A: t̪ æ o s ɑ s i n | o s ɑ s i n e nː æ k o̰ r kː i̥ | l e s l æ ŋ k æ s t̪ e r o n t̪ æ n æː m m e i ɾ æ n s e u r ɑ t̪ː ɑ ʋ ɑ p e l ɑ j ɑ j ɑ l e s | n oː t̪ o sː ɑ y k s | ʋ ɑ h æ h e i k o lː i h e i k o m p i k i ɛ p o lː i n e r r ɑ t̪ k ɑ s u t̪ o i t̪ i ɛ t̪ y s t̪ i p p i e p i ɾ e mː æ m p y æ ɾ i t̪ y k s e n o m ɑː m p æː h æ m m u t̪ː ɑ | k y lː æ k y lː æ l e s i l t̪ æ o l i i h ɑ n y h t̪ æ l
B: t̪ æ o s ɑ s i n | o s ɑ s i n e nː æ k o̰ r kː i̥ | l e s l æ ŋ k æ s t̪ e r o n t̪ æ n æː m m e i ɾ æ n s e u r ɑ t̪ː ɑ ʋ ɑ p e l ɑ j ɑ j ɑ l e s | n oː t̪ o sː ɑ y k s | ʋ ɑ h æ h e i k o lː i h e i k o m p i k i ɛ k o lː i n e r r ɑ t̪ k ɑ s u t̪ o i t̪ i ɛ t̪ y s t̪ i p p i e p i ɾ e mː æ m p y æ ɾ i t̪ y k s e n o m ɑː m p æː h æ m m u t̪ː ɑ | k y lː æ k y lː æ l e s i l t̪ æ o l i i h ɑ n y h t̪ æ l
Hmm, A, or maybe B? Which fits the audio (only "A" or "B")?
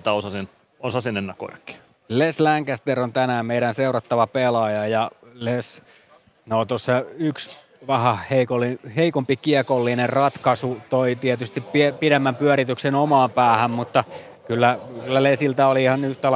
B